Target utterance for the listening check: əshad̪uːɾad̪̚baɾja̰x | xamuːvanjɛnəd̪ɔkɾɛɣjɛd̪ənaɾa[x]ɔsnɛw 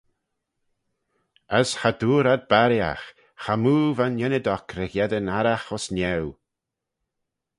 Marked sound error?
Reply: no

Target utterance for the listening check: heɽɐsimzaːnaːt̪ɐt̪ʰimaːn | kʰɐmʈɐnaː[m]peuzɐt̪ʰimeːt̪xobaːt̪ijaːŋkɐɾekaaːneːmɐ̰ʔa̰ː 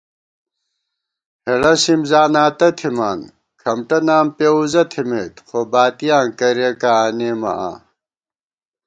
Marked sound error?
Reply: no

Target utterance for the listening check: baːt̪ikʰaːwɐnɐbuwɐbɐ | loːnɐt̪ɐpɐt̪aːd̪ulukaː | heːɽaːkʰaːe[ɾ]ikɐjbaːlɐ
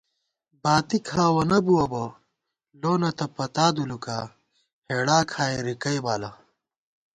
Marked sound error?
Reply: no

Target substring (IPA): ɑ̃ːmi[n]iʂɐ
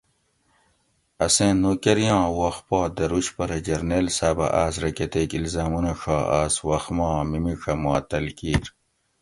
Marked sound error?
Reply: yes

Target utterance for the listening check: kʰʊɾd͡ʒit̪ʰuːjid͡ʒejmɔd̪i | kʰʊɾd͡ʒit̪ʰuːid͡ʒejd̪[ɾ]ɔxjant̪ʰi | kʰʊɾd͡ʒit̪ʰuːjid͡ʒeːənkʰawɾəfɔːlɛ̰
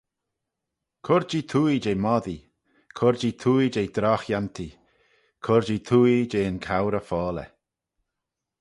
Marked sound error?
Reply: no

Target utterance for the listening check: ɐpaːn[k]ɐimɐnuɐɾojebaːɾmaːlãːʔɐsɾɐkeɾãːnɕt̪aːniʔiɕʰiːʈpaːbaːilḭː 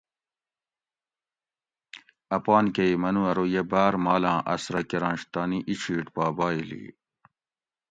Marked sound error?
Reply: no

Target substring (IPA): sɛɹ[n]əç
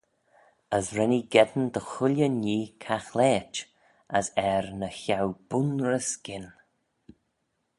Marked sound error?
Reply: no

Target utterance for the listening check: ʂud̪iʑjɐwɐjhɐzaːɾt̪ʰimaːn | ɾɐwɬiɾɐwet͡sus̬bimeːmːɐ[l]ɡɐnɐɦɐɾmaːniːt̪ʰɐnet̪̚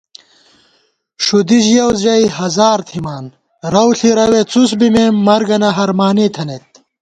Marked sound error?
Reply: yes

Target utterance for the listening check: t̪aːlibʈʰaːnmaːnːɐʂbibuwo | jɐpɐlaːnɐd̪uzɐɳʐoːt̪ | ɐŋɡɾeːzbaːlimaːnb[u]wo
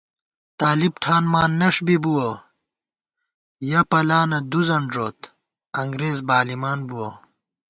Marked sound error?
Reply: no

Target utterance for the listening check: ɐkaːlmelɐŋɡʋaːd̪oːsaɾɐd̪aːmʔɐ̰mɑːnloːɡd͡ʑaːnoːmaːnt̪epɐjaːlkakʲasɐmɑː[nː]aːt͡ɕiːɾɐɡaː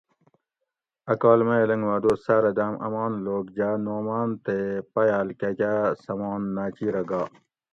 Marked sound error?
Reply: no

